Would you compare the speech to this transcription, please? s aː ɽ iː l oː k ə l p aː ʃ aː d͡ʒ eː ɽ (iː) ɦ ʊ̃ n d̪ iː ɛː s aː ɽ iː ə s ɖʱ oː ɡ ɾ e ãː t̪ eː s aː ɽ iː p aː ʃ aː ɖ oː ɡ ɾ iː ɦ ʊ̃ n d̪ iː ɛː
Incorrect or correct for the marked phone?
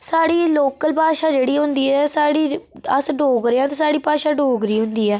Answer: correct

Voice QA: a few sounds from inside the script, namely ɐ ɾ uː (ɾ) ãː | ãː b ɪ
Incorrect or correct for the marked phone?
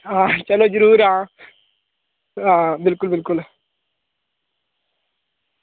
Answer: correct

